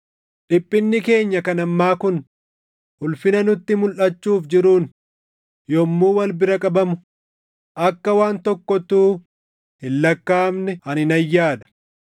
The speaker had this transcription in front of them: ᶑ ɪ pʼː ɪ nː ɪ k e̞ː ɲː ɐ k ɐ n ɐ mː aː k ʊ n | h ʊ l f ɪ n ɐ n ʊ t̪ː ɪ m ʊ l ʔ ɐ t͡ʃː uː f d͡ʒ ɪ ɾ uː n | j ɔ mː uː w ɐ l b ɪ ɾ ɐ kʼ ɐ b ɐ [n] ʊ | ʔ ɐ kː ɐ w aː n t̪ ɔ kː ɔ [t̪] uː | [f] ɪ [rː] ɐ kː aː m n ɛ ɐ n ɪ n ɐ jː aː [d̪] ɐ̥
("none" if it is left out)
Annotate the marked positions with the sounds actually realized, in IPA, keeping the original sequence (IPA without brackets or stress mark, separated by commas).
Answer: m, t̪, h, lː, d̪